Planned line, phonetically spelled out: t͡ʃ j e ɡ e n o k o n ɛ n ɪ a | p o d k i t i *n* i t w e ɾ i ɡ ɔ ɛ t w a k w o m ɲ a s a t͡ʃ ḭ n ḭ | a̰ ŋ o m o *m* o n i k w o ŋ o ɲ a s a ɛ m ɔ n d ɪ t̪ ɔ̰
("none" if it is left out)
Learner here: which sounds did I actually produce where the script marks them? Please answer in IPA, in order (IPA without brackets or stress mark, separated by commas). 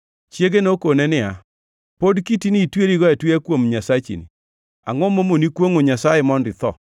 n, m